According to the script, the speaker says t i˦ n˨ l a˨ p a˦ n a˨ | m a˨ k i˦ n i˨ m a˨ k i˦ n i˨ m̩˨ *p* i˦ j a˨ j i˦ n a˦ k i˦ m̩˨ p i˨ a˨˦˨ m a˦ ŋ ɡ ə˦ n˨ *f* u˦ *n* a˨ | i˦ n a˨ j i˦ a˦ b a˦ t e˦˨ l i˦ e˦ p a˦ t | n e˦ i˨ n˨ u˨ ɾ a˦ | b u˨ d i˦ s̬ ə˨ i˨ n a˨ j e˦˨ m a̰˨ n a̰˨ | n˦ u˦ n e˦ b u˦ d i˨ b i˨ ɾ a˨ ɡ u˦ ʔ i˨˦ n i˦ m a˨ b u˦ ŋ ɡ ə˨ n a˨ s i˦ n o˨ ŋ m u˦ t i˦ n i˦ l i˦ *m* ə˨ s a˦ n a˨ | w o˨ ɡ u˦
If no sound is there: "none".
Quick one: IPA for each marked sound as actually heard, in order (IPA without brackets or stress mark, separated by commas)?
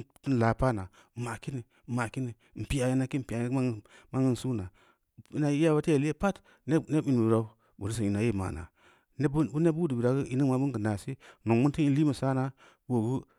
p, s, n, m